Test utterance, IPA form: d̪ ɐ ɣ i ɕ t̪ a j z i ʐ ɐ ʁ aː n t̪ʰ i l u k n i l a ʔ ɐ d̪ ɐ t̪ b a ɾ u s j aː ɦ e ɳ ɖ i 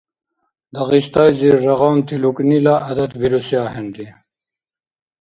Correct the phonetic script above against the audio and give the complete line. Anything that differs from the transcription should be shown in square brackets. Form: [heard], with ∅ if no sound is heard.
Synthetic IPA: d̪ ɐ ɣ i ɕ t̪ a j z i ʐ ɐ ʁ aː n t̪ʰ i l u k n i l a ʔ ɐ d̪ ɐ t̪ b [i] ɾ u s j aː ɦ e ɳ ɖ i